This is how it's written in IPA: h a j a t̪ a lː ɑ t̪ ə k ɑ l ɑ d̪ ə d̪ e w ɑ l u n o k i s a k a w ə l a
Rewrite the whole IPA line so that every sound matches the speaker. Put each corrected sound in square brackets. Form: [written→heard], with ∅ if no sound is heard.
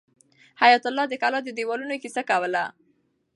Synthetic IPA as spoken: h a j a t̪ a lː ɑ [t̪→d̪] ə k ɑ l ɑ d̪ ə d̪ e w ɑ l u n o k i s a k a w ə l a

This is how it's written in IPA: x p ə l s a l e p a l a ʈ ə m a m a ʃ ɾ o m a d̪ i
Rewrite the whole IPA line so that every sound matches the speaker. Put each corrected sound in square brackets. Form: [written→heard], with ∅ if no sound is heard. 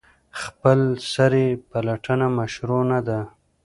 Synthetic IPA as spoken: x p ə l s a [l→ɾ] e p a l a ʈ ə [m→n] a m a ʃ ɾ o [m→n] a d̪ [i→a]

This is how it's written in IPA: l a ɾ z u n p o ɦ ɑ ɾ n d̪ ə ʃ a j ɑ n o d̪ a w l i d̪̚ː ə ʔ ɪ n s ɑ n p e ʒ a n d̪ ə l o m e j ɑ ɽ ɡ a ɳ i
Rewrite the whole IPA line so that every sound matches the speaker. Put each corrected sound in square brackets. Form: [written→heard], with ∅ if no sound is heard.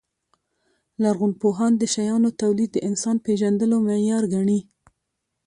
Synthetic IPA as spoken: l a ɾ [z→ɣ] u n p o ɦ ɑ [ɾ→∅] n d̪ ə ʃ a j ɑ n o [d̪→t̪] a w l i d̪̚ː ə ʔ ɪ n s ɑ n p e ʒ a n d̪ ə l o m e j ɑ [ɽ→ɾ] ɡ a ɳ i

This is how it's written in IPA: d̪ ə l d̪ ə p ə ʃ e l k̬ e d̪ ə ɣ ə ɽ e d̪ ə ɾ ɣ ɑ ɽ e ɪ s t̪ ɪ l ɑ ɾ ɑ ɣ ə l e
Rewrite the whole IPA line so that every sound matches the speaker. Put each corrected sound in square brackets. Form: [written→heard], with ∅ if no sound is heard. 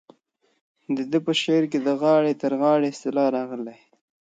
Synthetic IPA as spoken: d̪ ə [l→∅] d̪ ə p ə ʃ e [l→ɾ] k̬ e d̪ ə ɣ [ə→ɑ] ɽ e [d̪→t̪] ə ɾ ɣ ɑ ɽ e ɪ s t̪ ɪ l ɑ ɾ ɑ ɣ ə l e

